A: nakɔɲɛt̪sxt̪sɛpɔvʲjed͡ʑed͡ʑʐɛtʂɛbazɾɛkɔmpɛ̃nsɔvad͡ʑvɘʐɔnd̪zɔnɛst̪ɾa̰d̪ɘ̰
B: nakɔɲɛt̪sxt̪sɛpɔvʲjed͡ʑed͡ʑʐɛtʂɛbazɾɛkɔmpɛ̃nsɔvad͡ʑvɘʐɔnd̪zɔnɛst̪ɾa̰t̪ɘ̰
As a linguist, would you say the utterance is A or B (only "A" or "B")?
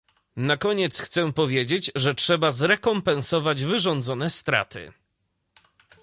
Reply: B